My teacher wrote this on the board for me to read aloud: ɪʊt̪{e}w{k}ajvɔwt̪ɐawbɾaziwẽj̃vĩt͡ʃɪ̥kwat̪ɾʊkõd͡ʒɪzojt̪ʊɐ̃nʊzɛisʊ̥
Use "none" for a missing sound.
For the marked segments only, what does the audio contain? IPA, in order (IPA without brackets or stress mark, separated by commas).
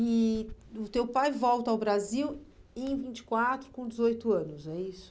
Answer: e, p